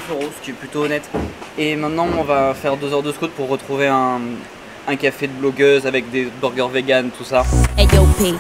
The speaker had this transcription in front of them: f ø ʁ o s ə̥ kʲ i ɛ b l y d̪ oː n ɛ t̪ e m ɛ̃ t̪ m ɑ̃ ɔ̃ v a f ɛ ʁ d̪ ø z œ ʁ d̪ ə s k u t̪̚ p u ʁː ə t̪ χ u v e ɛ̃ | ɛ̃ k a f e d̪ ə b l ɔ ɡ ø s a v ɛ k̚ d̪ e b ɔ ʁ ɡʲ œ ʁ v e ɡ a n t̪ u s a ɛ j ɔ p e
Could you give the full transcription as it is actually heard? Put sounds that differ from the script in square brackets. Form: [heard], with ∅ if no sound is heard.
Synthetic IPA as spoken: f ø ʁ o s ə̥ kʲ i ɛ [p] l y [t̪] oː n ɛ t̪ e m ɛ̃ t̪ [n] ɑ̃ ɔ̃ v a f ɛ ʁ d̪ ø z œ ʁ d̪ ə s k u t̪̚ p u ʁː ə t̪ χ u v e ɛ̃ | ɛ̃ k a f e d̪ ə b l ɔ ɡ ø [z] a v ɛ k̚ d̪ e b ɔ ʁ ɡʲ œ ʁ v e ɡ a n t̪ u s a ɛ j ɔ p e